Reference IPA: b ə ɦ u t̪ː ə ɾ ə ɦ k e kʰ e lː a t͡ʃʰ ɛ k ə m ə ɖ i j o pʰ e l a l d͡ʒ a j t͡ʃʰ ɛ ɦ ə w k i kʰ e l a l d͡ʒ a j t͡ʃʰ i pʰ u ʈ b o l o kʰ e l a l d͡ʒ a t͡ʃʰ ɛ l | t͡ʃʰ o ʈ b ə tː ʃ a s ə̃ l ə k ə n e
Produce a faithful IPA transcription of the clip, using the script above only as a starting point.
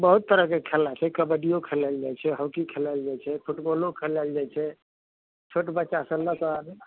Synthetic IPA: b ə ɦ u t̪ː ə ɾ ə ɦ k e kʰ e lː a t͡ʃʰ ɛ k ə b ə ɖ i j o kʰ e l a l d͡ʒ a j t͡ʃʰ ɛ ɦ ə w k i kʰ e l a l d͡ʒ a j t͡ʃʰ ɛ pʰ u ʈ b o l o kʰ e l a l d͡ʒ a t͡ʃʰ ɛ | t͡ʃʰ o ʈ b ə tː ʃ a s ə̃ l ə k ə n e